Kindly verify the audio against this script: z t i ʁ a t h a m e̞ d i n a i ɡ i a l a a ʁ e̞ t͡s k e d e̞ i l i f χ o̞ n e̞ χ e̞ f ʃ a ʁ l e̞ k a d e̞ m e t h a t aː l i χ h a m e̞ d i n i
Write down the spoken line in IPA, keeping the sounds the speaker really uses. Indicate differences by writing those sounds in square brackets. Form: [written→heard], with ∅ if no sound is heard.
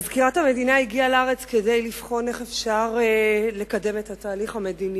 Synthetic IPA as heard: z [t→k] i ʁ a t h a m e̞ d i n a i ɡ i a l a a ʁ e̞ t͡s k e d e̞ [i→j] l i f χ o̞ n e̞ χ e̞ f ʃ a ʁ l e̞ k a d e̞ m e t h a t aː l i χ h a m e̞ d i n i